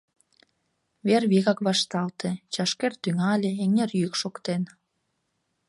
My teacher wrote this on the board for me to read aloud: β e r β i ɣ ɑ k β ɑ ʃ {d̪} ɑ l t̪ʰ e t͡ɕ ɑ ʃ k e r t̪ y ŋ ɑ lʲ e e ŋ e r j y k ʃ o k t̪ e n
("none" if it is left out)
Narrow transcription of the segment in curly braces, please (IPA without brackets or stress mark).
t̪